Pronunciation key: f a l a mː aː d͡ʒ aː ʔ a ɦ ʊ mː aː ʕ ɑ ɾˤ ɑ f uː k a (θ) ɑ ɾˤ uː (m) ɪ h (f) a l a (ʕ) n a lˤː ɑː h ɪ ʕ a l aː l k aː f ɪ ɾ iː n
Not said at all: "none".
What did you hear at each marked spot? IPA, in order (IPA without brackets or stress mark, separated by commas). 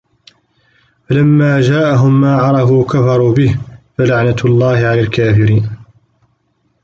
f, b, f, ʕ